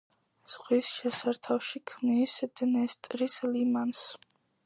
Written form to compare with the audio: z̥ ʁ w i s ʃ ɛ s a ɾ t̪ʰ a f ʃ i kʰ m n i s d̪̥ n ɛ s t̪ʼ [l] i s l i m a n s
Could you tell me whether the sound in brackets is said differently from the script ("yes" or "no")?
yes